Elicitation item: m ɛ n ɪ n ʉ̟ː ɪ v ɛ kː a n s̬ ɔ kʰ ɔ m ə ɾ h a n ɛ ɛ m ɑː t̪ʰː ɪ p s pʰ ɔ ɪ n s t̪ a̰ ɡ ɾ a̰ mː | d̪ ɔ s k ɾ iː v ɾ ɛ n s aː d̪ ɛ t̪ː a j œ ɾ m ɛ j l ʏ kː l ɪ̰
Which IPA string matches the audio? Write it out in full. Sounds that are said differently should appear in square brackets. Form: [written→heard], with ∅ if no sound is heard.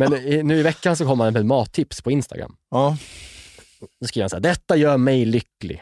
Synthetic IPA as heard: m ɛ n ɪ n ʉ̟ː ɪ v ɛ kː a n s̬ ɔ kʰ ɔ m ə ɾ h a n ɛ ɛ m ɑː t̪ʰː ɪ p s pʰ ɔ ɪ n s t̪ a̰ ɡ ɾ a̰ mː | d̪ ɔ s k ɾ iː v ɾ [ɛ→a] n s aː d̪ ɛ t̪ː a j [œ→œː] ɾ m ɛ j l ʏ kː l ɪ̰